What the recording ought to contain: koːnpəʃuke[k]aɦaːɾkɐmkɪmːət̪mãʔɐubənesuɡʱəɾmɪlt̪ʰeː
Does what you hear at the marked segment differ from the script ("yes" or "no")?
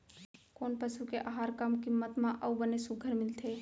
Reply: yes